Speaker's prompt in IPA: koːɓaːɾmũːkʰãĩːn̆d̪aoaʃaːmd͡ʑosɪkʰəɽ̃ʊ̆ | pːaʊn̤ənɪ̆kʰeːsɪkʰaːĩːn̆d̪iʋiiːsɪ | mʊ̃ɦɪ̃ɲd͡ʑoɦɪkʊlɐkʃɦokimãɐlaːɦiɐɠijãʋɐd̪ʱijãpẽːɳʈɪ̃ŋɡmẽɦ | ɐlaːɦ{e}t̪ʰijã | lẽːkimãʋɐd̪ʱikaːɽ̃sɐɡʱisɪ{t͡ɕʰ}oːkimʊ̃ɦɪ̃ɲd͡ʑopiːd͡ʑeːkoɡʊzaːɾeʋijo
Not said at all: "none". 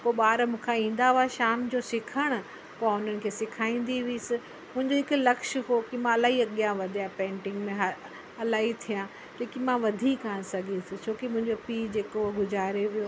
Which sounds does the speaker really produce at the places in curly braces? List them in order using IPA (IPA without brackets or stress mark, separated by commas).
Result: i, t͡ɕʰ